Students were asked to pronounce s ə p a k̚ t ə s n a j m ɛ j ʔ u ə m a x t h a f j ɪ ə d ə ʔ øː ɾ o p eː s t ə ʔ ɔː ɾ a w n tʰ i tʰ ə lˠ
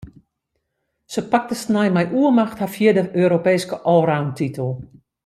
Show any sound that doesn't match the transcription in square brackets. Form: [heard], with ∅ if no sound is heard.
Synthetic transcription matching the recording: s ə p a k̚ t ə s n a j m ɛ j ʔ u ə m a x t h a f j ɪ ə d ə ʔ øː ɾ o p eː s [k] ə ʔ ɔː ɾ a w n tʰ i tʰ ə lˠ